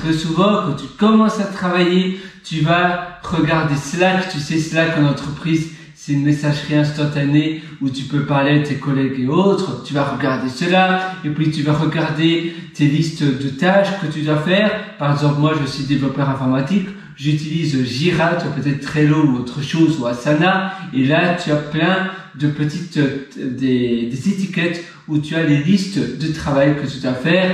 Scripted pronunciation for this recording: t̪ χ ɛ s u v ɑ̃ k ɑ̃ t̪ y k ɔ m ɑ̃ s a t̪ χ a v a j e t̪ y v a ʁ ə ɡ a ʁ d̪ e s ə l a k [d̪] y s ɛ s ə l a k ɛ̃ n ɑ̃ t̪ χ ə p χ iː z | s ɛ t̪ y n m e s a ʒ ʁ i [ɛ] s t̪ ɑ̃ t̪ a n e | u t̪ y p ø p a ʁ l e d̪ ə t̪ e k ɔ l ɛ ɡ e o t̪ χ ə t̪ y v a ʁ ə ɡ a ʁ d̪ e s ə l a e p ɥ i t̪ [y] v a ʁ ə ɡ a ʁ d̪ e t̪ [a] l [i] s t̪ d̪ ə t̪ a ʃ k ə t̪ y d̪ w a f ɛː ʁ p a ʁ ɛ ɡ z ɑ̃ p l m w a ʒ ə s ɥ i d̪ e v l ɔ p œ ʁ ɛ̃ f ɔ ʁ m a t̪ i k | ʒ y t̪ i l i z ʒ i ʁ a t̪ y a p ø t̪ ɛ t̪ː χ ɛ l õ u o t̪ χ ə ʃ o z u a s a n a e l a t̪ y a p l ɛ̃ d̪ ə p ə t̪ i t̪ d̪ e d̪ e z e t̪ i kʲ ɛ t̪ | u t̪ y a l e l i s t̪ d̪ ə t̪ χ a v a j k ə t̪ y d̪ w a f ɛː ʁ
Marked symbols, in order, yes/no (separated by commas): no, no, yes, no, yes